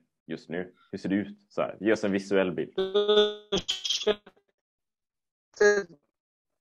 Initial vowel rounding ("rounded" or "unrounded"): rounded